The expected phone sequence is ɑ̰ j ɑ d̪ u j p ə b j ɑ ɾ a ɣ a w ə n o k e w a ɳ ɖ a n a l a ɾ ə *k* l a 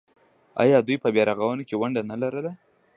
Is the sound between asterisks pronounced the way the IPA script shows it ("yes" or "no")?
no